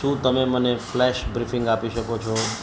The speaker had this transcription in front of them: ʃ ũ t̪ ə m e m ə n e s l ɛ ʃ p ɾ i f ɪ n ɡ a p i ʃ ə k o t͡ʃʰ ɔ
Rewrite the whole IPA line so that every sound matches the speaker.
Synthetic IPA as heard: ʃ ũ t̪ ə m e m ə n e f l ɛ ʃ b ɾ i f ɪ ŋ ɡ a p i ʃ ə k o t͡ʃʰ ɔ